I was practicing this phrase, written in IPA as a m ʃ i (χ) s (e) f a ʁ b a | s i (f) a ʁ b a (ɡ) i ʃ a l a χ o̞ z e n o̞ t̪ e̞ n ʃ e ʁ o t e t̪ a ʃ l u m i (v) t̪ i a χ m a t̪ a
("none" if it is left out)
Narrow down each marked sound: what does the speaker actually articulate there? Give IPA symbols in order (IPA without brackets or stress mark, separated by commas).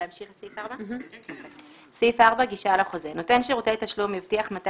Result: χ, i, f, ɡ, v